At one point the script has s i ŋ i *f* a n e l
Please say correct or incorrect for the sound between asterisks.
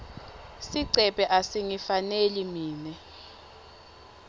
correct